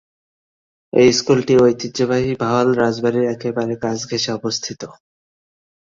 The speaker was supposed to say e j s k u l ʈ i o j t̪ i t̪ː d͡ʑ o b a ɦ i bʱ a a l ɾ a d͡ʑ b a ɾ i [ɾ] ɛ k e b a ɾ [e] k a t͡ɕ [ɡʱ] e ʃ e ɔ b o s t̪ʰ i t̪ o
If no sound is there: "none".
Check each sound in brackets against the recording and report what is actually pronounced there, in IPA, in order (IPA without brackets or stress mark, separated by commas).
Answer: ɾ, e, ɡʱ